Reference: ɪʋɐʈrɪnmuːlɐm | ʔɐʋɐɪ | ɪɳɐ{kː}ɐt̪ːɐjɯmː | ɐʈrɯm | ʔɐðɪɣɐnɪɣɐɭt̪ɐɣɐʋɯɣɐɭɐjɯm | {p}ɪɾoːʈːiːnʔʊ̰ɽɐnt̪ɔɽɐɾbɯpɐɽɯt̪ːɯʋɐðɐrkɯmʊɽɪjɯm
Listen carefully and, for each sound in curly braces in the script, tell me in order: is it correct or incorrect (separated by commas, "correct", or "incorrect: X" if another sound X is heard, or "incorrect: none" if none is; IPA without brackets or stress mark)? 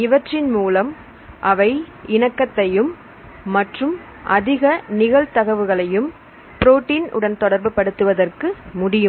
correct, correct